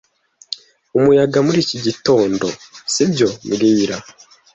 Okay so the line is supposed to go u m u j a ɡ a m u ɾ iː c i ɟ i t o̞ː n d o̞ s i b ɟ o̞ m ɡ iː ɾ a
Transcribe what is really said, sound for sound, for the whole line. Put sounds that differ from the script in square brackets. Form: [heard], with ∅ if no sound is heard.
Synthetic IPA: u m u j a ɡ a m u ɾ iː c i ɟ i t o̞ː n d o̞ s i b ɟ o̞ m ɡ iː ɾ a

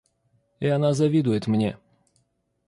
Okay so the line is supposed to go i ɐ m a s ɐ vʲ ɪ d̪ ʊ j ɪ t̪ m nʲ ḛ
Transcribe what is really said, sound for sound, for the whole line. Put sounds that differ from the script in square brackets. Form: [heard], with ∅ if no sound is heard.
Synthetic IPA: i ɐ [n] a [z] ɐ vʲ [i] d̪ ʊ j ɪ t̪ m nʲ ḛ

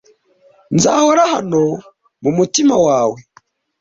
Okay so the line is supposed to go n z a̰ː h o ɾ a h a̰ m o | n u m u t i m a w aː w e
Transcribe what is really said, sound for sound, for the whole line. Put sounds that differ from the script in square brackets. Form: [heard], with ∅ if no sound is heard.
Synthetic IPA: n z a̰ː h o ɾ a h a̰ [n] o | [m] u m u t i m a w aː w e

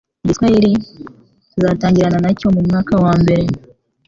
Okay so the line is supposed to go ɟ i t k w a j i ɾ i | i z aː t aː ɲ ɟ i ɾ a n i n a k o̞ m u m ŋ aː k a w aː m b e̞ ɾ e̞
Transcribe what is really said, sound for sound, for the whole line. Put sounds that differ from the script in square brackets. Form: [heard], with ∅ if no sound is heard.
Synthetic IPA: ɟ i t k w a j i ɾ i | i z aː t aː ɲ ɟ i ɾ a n [a] n a [c] o̞ m u m ŋ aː k a w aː m b e̞ ɾ e̞

